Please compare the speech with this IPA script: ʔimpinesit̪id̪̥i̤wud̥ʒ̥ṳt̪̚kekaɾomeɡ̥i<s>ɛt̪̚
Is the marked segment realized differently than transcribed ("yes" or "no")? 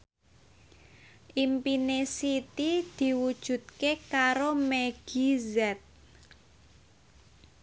yes